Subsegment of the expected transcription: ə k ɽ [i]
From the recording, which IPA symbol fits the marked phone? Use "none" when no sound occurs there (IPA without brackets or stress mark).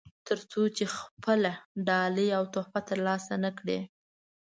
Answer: e